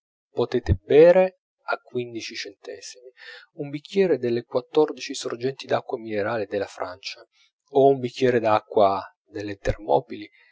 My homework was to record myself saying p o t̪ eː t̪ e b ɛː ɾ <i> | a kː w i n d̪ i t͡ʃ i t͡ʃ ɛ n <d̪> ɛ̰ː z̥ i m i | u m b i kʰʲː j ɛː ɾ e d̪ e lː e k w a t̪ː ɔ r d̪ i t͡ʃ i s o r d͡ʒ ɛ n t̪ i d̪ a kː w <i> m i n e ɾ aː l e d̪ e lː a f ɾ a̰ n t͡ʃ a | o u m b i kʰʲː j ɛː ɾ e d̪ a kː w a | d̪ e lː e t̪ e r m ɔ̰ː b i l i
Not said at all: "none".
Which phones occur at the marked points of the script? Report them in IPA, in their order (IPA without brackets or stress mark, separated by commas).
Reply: e, t̪, a